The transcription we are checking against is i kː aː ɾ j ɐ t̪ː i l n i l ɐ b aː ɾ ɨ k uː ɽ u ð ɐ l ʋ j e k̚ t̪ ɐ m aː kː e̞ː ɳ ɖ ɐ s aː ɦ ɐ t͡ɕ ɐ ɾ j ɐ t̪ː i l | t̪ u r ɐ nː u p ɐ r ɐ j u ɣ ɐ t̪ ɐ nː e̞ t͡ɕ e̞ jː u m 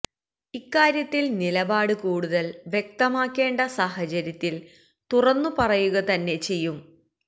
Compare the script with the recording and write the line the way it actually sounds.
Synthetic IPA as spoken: i kː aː ɾ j ɐ t̪ː i l n i l ɐ b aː ɽ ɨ k uː ɽ u ð ɐ l ʋ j e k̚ t̪ ɐ m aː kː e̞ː ɳ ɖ ɐ s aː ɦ ɐ t͡ɕ ɐ ɾ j ɐ t̪ː i l | t̪ u r ɐ nː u p ɐ r ɐ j u ɣ ɐ t̪ ɐ nː e̞ t͡ɕ e̞ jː u m